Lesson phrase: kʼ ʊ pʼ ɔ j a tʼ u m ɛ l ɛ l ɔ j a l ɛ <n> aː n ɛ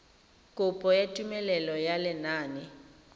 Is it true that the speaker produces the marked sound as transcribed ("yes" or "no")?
yes